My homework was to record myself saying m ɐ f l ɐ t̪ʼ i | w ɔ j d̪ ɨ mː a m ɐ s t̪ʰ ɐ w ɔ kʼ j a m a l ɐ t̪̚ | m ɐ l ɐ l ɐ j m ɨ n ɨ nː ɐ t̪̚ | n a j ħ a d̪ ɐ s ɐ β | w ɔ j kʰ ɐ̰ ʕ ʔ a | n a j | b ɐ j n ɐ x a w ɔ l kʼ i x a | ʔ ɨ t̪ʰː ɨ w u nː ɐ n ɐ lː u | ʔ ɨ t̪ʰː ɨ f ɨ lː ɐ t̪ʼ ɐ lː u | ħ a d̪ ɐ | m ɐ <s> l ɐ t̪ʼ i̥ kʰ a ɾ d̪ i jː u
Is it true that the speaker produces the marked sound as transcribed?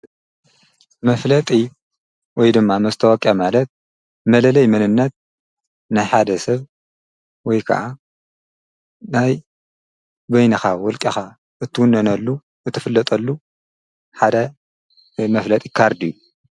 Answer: no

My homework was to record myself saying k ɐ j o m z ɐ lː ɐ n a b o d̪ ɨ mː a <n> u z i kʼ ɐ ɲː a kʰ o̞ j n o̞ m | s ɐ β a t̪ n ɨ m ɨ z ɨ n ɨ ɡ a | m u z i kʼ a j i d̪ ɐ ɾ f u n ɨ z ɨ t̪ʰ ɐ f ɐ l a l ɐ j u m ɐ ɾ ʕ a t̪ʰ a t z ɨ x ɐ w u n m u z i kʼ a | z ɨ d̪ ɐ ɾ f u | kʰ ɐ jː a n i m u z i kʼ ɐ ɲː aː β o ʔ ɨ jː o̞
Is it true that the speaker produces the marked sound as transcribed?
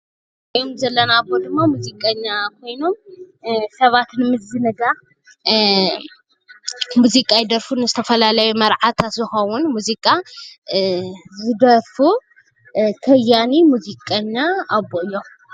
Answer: no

